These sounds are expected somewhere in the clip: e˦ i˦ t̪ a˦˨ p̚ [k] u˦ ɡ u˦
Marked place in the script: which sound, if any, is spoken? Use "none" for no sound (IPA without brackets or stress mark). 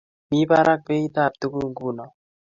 t